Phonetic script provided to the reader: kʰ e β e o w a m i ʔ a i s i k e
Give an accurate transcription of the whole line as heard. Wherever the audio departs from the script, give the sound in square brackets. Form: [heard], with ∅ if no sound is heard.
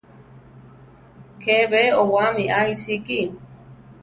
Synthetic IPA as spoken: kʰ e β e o w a m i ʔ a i s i k [i]